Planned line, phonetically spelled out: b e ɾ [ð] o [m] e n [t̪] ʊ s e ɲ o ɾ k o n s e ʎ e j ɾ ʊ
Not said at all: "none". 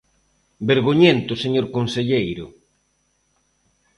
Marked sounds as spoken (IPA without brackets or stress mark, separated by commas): ɣ, ɲ, t̪